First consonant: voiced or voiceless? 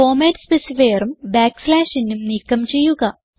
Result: voiced